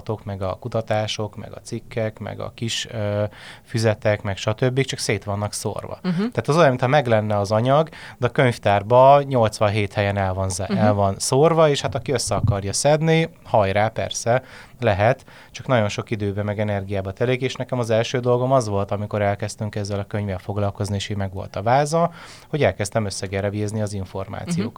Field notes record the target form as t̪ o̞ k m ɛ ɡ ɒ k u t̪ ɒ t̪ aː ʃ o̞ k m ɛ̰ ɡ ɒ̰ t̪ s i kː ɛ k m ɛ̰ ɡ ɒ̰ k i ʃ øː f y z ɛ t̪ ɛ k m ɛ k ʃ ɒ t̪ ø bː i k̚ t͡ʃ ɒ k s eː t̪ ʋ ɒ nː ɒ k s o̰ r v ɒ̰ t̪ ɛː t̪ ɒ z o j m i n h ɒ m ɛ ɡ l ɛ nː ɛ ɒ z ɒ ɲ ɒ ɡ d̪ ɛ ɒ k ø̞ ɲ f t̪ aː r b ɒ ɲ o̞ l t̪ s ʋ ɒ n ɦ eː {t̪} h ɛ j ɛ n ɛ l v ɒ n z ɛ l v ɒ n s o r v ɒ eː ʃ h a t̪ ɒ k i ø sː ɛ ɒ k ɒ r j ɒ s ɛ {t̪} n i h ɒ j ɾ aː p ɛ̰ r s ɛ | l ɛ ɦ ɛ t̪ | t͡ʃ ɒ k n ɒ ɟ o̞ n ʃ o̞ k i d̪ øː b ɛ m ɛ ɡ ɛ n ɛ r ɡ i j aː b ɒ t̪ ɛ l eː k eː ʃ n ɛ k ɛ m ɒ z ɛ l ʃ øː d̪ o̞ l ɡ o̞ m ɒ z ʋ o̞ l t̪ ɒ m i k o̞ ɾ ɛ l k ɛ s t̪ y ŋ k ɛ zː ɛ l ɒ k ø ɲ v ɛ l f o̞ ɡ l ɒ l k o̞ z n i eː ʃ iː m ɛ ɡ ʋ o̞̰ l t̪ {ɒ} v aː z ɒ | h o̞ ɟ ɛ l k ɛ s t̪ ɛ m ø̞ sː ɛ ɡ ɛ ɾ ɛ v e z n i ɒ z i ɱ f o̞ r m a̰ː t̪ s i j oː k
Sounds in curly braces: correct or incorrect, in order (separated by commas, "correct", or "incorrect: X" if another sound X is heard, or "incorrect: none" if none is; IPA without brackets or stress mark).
correct, incorrect: d̪, correct